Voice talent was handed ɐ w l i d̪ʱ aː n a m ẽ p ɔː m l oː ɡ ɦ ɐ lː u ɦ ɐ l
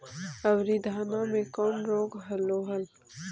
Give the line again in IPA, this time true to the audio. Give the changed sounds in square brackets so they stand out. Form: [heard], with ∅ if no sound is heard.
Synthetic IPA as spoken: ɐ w [ɾ] i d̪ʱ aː n a m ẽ [k] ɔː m [ɾ] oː ɡ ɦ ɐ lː [o] ɦ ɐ l